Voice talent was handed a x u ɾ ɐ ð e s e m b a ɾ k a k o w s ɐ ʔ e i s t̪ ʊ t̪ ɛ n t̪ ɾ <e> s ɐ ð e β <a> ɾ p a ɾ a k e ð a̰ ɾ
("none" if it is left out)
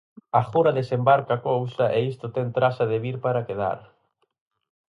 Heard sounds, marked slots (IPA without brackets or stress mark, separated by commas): a, i